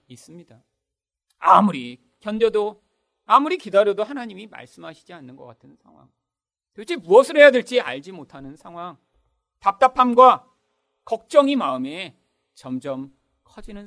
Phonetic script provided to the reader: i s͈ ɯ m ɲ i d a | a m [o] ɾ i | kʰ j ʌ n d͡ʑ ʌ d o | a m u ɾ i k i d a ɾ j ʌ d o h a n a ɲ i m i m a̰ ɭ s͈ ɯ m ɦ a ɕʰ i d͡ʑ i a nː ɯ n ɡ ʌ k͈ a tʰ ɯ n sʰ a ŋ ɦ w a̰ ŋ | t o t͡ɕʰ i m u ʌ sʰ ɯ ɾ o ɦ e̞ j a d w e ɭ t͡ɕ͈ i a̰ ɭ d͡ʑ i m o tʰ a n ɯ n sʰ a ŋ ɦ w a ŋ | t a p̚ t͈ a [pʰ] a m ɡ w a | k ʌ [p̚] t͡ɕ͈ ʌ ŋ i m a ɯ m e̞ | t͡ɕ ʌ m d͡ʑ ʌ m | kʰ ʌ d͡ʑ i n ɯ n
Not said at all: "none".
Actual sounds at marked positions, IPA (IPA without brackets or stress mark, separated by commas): u, pʰ, k̚